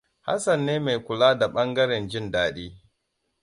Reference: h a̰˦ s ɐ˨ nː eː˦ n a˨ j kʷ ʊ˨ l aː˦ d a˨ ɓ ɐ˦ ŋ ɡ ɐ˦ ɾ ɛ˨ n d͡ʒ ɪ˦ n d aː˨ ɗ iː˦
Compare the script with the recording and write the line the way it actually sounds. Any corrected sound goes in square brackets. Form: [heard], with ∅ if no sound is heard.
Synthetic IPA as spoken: h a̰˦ s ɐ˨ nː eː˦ [m] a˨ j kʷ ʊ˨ l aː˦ d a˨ ɓ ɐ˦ ŋ ɡ ɐ˦ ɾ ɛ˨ n d͡ʒ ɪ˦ n d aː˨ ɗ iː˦